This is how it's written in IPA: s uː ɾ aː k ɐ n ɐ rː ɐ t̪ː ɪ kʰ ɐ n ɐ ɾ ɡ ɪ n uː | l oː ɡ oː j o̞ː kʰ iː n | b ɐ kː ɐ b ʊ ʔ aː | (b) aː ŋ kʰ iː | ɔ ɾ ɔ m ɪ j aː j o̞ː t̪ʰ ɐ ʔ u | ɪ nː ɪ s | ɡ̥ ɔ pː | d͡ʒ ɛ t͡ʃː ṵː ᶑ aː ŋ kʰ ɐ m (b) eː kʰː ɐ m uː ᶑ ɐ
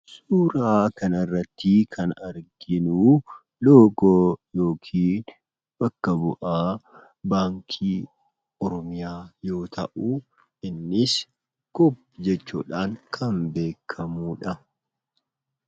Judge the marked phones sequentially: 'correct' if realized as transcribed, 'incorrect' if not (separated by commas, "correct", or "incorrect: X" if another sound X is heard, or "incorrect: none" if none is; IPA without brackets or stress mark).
correct, correct